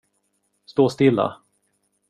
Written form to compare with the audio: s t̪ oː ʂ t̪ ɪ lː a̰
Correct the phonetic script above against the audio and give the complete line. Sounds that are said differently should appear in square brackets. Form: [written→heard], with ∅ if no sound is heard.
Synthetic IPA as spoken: s t̪ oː [ʂ→s] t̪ ɪ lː a̰